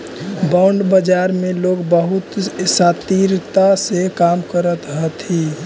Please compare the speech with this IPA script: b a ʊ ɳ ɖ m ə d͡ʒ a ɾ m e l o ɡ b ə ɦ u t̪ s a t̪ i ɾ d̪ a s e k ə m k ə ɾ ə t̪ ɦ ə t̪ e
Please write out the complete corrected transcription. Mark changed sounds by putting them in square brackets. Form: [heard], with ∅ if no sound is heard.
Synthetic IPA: b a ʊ ɳ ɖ [b] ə d͡ʒ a ɾ m e l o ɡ b ə ɦ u t̪ s a t̪ i ɾ [t̪] a s e k [a] m k ə ɾ ə t̪ ɦ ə t̪ [i]